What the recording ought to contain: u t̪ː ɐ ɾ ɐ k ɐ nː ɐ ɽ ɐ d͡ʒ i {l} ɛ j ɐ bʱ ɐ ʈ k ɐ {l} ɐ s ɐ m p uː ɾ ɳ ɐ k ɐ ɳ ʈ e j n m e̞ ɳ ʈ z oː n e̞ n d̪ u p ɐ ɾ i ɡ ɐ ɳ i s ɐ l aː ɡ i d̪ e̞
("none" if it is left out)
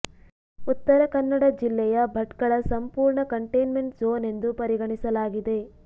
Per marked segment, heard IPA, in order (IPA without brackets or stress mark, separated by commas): lː, ɭ